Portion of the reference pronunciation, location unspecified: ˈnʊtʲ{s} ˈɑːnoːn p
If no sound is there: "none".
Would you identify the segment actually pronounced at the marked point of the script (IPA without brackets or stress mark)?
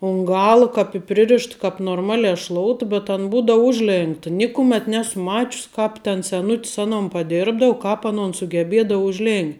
s